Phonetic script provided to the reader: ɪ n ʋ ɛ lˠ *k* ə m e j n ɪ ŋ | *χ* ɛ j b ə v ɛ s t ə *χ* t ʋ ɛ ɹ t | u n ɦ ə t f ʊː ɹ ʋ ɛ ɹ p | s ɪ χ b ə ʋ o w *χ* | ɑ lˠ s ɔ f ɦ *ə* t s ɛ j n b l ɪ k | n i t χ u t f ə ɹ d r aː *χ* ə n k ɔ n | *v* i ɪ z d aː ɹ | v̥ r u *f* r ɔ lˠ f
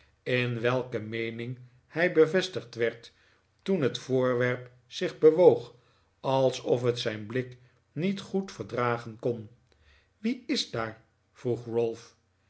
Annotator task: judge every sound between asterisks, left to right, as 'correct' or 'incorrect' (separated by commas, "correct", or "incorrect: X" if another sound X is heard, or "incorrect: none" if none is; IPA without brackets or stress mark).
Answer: correct, incorrect: h, correct, correct, correct, correct, incorrect: ʋ, incorrect: χ